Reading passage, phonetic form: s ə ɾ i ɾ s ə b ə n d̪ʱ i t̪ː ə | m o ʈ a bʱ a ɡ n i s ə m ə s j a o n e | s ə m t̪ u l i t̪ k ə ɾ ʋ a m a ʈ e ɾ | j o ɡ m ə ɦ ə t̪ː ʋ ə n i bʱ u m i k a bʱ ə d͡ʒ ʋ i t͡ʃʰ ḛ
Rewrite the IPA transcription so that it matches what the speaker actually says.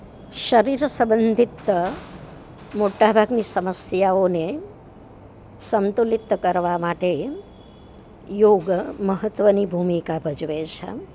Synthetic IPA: ʃ ə ɾ i ɾ s ə b ə n d̪ʱ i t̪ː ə | m o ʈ a bʱ a ɡ n i s ə m ə s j a o n e | s ə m t̪ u l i t̪ k ə ɾ ʋ a m a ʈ e | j o ɡ m ə ɦ ə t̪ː ʋ ə n i bʱ u m i k a bʱ ə d͡ʒ ʋ e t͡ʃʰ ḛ